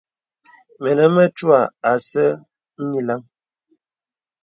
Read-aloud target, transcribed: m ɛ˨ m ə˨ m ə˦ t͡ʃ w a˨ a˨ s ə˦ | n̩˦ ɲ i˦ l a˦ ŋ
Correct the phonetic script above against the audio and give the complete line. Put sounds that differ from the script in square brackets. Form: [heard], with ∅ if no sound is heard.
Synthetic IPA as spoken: m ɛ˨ [n] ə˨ m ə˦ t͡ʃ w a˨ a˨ s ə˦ | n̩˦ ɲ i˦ l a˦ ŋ

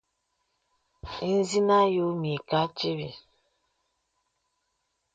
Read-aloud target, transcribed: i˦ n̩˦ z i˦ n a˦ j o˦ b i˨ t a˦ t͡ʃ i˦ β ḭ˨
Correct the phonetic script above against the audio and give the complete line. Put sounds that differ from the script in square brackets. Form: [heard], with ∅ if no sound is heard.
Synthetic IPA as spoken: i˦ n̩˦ z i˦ n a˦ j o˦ [m] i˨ [k] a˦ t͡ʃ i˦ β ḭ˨

